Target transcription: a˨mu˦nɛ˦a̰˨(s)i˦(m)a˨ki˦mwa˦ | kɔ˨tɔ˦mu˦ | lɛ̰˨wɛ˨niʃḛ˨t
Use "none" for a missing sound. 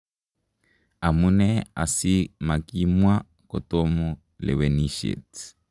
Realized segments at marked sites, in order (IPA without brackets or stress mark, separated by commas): s, m